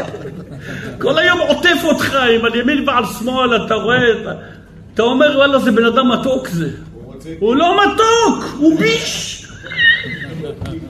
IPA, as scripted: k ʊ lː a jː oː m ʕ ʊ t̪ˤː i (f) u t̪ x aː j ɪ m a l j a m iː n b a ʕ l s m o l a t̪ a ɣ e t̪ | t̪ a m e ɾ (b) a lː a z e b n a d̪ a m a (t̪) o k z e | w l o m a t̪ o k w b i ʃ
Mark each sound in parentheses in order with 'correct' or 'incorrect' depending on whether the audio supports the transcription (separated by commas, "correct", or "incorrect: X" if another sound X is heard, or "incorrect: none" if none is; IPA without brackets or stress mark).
correct, incorrect: w, correct